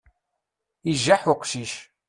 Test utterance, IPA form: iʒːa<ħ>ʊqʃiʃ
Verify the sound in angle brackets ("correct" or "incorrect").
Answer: correct